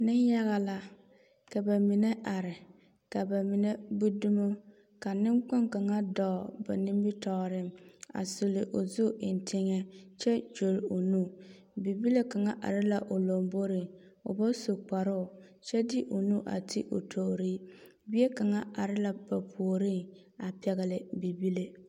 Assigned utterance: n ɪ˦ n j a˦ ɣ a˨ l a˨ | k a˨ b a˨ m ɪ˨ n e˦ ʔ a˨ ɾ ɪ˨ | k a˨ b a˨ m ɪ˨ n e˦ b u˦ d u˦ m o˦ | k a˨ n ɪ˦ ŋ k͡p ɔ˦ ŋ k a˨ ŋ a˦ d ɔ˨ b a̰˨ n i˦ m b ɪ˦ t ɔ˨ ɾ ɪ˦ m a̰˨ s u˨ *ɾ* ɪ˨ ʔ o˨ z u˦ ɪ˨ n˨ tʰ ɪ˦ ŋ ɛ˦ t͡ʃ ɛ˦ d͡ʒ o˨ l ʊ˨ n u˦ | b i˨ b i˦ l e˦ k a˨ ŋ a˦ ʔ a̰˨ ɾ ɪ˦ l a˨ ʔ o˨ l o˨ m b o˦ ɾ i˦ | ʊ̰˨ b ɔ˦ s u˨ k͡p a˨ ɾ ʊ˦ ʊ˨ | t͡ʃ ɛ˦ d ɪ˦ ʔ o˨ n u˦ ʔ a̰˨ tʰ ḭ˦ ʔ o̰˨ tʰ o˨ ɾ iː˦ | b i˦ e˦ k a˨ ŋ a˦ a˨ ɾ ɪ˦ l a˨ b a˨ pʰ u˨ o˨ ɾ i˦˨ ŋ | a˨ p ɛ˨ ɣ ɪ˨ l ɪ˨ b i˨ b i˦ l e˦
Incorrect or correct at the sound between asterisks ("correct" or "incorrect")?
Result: incorrect